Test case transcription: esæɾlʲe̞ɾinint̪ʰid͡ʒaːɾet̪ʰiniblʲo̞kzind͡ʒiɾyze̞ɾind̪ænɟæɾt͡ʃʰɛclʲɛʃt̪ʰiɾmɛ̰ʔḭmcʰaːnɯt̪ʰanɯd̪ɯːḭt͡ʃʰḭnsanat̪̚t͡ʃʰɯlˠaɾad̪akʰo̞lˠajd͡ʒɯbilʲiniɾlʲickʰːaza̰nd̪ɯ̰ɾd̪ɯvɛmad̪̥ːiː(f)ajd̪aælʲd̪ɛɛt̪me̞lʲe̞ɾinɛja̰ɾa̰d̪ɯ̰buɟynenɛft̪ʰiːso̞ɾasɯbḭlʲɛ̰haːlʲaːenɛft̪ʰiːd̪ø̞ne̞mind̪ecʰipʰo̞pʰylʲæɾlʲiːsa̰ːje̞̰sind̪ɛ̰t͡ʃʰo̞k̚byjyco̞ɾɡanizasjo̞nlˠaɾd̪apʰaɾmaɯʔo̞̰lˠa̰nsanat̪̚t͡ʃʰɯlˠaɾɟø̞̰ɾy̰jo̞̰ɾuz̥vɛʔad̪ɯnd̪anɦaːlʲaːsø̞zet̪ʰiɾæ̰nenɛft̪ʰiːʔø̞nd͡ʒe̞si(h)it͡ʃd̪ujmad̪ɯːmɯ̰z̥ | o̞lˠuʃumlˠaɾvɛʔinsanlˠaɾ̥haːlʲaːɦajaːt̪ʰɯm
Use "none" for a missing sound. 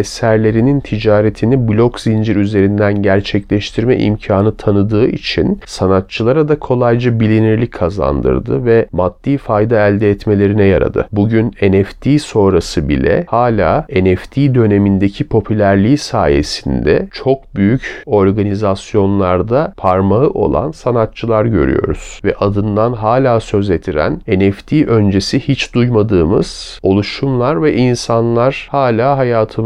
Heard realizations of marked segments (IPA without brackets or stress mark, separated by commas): f, h